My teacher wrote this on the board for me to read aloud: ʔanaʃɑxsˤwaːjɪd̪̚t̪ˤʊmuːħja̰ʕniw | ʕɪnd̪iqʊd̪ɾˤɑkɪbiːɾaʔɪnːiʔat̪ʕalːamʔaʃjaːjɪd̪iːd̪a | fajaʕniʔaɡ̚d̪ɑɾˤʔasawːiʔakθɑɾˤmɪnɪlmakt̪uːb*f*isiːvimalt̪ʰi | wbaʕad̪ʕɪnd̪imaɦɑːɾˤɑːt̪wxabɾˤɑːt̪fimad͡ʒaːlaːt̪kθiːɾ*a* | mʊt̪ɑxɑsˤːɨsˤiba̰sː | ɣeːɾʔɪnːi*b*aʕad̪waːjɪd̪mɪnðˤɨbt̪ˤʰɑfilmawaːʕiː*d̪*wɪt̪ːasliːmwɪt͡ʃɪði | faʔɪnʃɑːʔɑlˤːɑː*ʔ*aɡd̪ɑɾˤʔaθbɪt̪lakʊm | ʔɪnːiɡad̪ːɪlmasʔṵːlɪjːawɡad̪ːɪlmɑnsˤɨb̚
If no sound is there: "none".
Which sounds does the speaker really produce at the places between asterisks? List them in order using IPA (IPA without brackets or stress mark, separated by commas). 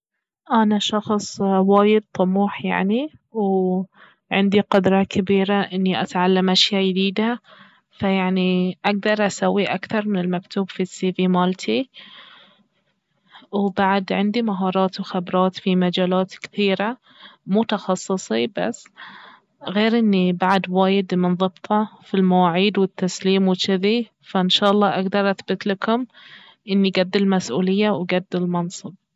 f, a, b, d̪, ʔ